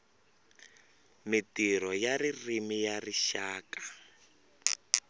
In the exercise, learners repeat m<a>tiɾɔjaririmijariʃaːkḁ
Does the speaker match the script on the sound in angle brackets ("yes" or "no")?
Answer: no